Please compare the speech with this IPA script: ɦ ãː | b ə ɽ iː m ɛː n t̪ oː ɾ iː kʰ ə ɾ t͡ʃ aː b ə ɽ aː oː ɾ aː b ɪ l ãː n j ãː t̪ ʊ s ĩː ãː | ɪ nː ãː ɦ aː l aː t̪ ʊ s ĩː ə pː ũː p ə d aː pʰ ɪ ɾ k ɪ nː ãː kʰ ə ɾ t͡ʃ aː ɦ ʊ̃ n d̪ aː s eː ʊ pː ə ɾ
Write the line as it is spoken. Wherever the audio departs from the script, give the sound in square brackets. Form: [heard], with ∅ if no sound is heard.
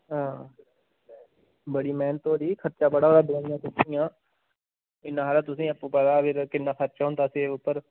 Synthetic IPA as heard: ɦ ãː | b ə ɽ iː m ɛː n t̪ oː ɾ iː kʰ ə ɾ t͡ʃ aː b ə ɽ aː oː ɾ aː b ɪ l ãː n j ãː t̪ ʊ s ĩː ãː | ɪ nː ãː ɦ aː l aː t̪ ʊ s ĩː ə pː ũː p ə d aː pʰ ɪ ɾ k ɪ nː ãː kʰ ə ɾ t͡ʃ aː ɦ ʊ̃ n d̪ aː s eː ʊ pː ə ɾ